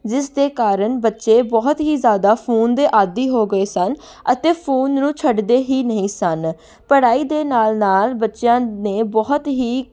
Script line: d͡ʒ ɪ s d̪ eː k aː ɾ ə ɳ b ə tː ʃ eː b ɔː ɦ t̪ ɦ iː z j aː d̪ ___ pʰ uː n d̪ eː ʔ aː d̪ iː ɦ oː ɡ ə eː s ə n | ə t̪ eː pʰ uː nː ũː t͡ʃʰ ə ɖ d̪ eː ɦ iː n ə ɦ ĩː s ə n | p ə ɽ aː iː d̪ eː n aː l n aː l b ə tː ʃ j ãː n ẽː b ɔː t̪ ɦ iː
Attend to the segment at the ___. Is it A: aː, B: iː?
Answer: A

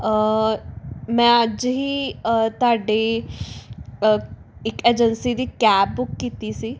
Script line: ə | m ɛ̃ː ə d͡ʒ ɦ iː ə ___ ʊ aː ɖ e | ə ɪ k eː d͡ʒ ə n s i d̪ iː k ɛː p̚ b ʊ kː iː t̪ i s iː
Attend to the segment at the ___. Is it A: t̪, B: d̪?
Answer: A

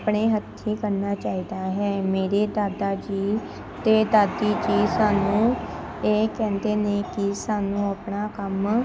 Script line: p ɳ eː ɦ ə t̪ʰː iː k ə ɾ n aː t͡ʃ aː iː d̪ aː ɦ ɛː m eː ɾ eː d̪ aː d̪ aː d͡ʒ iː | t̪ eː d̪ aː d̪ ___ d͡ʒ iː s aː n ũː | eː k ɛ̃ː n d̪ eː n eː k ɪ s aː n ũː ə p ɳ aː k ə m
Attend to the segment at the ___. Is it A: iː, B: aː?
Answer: A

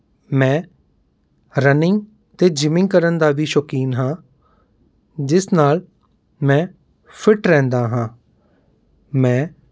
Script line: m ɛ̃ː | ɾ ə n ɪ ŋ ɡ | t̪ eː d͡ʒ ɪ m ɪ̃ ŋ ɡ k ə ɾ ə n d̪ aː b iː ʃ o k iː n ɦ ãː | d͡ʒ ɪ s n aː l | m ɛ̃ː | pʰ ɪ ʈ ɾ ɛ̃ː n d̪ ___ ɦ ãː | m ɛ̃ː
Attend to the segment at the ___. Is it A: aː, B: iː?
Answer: A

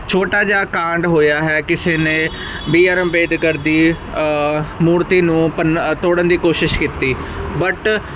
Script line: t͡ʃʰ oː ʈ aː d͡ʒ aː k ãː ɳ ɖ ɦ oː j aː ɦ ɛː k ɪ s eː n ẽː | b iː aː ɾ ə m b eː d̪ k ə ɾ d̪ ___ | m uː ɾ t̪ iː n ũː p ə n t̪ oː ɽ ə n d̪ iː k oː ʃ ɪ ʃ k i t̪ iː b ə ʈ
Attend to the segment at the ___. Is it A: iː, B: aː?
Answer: A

